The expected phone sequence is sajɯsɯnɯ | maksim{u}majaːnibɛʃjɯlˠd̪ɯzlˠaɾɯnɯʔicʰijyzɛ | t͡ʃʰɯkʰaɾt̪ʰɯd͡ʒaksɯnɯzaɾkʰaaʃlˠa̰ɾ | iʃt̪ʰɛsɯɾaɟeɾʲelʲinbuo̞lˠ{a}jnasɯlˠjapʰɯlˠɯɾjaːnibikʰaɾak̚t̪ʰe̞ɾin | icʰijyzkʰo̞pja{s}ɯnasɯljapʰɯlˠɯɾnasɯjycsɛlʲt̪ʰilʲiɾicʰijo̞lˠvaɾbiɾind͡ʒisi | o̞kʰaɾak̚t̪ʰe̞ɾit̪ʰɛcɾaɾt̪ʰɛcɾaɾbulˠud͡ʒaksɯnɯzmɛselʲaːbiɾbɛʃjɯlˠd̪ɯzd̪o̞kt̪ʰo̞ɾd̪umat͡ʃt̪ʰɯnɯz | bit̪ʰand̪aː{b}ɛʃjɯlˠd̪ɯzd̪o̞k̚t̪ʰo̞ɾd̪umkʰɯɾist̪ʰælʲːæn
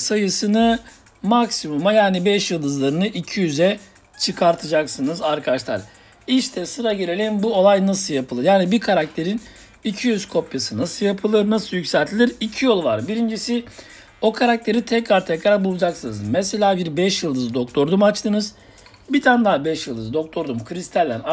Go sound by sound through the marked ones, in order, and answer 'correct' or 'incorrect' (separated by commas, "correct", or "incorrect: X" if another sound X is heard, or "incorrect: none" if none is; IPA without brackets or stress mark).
correct, correct, correct, correct